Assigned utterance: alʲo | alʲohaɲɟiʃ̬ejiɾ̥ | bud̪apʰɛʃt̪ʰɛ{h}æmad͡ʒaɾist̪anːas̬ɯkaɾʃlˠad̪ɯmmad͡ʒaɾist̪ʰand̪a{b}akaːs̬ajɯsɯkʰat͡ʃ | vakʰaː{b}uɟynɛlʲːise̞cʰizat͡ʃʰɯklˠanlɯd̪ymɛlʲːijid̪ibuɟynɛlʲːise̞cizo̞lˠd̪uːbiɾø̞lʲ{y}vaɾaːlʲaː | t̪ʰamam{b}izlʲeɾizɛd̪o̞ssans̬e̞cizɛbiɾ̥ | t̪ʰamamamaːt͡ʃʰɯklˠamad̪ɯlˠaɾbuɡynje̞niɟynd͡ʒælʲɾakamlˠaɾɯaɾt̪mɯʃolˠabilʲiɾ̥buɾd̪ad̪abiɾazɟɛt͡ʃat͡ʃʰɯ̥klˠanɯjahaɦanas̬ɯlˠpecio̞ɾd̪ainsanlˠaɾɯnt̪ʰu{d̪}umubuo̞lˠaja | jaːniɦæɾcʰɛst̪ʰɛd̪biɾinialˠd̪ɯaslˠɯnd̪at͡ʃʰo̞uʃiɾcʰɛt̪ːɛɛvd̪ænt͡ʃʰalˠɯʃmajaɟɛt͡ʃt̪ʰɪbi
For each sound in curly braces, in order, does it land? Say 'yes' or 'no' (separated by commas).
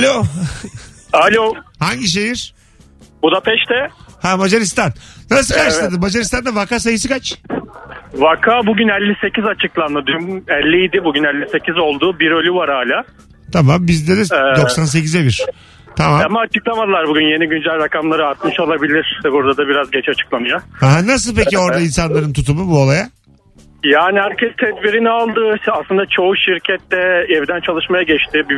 yes, no, yes, yes, yes, no